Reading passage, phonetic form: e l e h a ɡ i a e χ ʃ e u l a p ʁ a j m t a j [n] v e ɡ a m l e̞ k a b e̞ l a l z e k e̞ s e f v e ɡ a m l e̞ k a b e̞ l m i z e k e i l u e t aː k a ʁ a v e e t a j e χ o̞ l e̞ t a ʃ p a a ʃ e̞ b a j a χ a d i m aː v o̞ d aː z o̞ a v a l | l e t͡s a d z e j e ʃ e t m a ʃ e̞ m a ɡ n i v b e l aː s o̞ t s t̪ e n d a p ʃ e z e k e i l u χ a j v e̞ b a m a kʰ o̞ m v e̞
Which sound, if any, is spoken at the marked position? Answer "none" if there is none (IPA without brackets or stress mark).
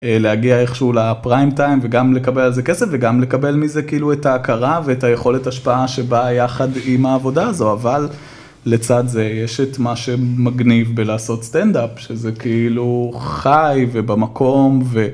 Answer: m